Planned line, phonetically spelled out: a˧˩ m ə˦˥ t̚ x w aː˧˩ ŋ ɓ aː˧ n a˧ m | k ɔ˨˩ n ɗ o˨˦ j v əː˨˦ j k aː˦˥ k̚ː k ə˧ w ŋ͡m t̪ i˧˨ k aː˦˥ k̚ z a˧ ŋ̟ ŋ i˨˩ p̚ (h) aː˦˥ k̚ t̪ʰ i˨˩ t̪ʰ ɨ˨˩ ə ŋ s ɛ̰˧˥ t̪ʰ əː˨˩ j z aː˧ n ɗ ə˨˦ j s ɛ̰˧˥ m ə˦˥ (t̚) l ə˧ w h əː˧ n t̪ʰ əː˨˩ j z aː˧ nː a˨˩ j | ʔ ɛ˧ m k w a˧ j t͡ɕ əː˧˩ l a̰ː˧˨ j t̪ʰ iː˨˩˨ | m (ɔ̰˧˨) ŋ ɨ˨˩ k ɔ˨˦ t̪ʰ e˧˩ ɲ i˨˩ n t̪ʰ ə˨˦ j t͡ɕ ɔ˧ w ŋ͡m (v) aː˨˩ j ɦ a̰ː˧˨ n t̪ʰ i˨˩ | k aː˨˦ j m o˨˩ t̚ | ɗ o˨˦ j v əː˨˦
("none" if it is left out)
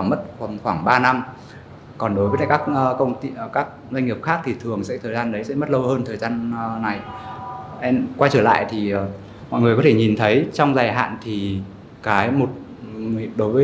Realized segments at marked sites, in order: x, t̚, ɔ̰˧˨, z

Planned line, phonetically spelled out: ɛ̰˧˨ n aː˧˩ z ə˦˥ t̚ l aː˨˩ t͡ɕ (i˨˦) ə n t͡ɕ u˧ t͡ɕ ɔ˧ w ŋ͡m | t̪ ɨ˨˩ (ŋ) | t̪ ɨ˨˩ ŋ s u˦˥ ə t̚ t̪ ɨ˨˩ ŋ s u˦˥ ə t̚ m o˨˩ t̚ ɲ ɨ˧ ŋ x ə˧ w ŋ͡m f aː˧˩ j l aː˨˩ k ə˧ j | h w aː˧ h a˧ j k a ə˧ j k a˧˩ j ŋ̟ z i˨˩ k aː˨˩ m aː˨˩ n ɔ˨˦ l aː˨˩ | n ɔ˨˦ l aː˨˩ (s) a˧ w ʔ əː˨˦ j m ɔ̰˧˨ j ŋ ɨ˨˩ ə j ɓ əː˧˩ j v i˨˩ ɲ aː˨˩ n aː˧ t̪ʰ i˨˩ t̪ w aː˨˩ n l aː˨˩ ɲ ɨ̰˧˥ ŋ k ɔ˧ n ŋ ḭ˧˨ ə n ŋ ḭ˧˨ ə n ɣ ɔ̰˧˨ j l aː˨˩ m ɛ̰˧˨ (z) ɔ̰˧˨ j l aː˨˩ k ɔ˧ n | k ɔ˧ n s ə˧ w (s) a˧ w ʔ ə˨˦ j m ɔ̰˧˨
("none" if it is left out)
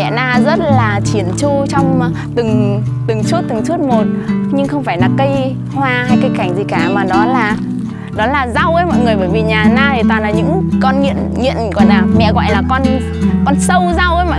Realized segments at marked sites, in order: i˧˩, ŋ, z, ɣ, z

